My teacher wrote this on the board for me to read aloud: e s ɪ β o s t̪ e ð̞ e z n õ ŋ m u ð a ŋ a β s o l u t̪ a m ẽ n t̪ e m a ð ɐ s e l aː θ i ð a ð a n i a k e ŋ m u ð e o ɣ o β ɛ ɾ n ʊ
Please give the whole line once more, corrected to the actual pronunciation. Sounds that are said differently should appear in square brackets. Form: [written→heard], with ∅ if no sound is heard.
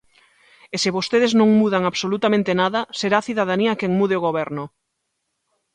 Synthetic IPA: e s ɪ β o s t̪ e ð̞ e z n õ ŋ m u ð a ŋ a β s o l u t̪ a m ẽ n t̪ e [m→n] a ð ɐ s e [l→ɾ] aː θ i ð a ð a n i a k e ŋ m u ð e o ɣ o β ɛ ɾ n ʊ